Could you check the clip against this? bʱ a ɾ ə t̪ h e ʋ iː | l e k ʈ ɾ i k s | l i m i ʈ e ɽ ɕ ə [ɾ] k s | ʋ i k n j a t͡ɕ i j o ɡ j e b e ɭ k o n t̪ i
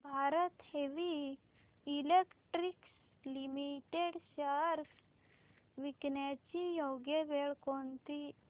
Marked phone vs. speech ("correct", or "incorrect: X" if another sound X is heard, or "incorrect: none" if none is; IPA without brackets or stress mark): correct